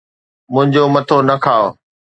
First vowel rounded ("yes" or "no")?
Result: yes